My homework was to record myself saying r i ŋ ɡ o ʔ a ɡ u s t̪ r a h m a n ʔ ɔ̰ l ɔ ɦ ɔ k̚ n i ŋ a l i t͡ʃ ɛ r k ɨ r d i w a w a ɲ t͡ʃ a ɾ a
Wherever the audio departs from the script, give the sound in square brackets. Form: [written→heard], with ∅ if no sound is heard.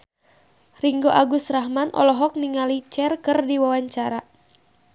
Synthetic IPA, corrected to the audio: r i ŋ ɡ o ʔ a ɡ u s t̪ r a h m a n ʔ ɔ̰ l ɔ ɦ ɔ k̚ n i ŋ a l i t͡ʃ ɛ r k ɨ r d i w a w a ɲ t͡ʃ a ɾ a